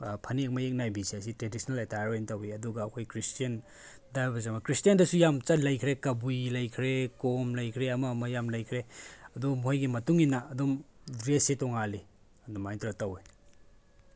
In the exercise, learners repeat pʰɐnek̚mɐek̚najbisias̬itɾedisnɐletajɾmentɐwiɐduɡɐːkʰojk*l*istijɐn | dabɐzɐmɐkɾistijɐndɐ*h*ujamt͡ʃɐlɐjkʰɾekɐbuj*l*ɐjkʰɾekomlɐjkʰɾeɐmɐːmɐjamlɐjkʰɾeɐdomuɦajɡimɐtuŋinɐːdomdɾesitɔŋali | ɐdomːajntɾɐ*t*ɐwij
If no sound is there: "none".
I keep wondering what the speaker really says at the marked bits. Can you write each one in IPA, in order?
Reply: ɾ, s, l, t

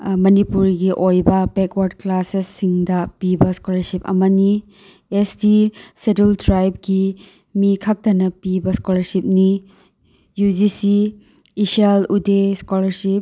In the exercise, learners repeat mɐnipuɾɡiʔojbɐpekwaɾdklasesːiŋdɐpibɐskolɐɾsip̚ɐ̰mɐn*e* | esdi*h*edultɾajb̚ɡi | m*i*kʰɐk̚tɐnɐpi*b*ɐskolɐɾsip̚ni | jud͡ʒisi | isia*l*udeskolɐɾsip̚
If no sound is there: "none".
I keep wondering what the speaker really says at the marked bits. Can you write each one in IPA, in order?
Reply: i, s, i, b, l

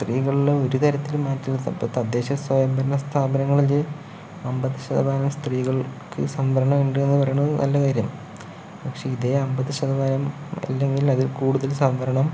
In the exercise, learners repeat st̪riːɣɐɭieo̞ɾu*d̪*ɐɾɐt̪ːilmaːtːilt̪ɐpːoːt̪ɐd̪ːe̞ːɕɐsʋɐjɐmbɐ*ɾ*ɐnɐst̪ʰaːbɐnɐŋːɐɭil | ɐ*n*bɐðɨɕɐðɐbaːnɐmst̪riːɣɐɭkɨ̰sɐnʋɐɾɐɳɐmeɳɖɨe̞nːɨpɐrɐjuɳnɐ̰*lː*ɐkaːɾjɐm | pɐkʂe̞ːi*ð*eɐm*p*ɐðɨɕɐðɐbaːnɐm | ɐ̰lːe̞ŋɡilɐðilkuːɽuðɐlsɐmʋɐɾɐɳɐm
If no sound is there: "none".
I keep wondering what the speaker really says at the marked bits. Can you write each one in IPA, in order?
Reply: t̪, ɾ, m, lː, ð, b

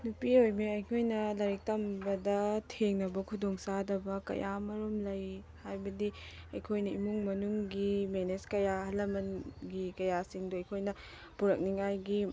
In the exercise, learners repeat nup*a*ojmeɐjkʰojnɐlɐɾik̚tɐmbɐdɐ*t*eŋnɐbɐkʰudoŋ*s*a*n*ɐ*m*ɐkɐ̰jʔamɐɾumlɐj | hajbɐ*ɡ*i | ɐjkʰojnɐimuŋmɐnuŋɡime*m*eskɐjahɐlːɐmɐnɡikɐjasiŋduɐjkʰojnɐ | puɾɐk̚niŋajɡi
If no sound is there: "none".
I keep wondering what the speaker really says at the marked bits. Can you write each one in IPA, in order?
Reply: i, tʰ, s, d, b, d, n

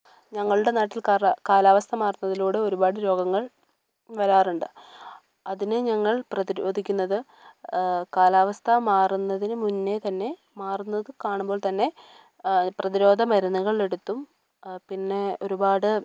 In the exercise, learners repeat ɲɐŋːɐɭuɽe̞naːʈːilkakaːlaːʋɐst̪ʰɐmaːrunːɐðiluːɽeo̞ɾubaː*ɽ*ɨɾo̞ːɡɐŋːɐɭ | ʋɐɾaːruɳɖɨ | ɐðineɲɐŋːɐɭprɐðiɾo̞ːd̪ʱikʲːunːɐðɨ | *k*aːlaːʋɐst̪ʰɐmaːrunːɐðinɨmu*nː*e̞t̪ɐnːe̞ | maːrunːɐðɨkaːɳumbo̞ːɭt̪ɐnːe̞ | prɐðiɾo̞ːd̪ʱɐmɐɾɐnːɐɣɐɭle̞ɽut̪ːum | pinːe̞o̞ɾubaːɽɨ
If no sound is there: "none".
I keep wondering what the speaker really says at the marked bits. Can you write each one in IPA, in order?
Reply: ɽ, k, nː

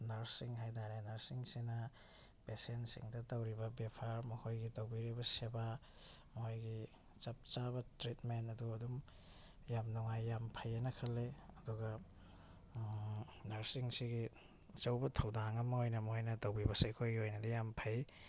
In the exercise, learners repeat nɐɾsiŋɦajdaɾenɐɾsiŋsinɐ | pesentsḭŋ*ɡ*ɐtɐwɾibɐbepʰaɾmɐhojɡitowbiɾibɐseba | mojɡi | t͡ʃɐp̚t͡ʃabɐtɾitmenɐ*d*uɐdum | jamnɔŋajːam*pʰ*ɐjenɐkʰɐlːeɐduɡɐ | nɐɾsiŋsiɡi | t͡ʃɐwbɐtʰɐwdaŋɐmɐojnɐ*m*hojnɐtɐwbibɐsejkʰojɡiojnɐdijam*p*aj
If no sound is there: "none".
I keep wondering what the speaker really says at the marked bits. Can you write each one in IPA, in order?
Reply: d, d, pʰ, m, pʰ

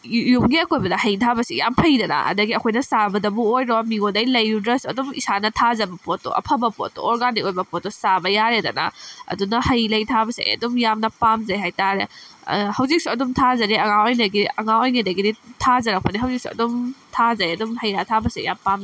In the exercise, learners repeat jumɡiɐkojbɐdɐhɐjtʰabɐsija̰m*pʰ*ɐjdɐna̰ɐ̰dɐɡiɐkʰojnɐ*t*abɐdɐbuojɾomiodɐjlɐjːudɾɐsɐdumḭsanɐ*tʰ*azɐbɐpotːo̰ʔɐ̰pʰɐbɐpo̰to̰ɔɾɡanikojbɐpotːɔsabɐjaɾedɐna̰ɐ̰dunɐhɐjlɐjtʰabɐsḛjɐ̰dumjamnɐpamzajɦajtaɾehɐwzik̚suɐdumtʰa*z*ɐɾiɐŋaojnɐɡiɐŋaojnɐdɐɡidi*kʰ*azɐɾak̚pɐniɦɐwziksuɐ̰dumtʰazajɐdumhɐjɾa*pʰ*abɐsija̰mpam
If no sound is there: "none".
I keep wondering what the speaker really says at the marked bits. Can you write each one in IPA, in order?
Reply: pʰ, s, tʰ, z, tʰ, tʰ

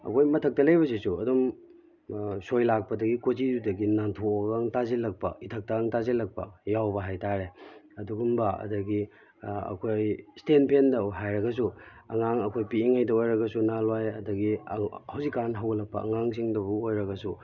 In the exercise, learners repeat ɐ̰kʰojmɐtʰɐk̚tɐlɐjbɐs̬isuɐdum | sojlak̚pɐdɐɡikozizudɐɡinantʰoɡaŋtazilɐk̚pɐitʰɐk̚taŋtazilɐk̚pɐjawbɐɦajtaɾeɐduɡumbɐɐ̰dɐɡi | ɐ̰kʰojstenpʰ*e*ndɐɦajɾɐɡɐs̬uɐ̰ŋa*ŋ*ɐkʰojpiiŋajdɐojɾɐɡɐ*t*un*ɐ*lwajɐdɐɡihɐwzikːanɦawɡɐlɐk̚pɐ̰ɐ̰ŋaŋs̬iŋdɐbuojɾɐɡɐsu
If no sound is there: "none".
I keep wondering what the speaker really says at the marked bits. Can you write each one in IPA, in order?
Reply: e, ŋ, s, a

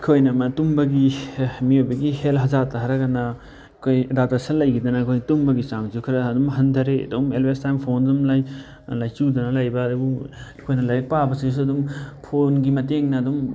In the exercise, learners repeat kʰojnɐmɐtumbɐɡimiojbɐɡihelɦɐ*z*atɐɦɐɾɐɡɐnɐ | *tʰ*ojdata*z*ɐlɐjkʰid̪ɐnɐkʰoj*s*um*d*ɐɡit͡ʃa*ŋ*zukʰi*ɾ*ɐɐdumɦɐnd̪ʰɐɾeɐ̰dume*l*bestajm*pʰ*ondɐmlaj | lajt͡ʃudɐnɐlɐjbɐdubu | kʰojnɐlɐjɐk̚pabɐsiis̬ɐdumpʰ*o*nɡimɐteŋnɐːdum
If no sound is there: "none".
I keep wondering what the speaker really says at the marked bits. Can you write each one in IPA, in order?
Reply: z, kʰ, s, t, b, ŋ, ɾ, l, pʰ, o

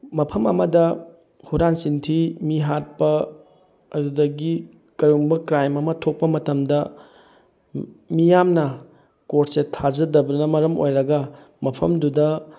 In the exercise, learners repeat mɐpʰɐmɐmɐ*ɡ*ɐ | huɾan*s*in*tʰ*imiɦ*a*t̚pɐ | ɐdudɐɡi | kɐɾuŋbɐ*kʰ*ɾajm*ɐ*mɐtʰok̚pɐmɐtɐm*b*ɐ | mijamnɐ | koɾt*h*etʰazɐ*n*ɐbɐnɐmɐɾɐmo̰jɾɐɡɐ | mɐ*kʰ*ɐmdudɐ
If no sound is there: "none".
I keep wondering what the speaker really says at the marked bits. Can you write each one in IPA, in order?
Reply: d, s, tʰ, a, k, ɐ, d, s, d, pʰ

